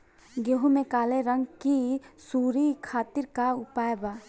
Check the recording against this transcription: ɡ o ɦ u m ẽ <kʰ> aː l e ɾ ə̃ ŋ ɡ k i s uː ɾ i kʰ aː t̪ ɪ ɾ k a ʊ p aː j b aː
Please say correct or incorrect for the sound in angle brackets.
incorrect: k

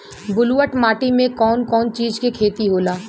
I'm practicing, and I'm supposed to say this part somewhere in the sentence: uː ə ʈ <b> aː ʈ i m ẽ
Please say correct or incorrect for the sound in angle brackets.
incorrect: m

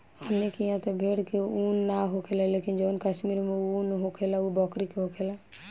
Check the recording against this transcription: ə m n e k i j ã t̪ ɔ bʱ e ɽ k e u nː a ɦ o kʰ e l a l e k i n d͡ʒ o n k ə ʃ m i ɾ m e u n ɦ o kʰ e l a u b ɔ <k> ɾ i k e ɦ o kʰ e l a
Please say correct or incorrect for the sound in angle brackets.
correct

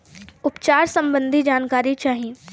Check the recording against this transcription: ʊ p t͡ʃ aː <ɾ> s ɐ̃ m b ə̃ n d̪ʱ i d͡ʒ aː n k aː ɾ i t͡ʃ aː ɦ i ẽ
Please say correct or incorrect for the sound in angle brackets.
correct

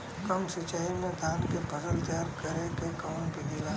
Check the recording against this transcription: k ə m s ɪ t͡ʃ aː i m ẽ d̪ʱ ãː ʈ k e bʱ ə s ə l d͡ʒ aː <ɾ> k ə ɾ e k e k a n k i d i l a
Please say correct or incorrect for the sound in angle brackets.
correct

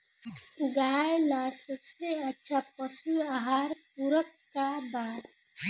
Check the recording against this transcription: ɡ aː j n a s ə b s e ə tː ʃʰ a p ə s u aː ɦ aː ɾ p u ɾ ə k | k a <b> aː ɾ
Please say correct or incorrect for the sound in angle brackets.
correct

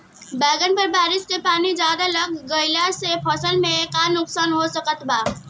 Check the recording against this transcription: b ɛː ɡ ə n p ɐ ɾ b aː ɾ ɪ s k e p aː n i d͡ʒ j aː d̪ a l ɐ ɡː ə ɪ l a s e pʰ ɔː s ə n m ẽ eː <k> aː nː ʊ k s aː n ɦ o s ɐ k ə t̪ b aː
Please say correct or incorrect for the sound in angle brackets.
correct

